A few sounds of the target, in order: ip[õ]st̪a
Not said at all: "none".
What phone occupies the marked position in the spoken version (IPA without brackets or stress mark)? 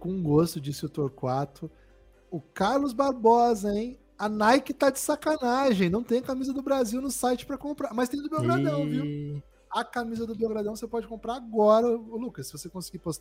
o